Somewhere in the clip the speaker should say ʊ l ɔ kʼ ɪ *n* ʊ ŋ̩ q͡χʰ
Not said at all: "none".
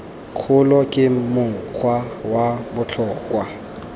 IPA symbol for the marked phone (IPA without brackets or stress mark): m